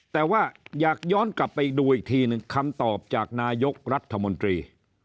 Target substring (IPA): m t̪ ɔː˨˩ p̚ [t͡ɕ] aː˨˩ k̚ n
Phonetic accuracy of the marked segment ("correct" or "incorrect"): correct